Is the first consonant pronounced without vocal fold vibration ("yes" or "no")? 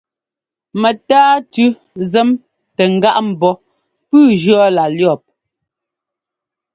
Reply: no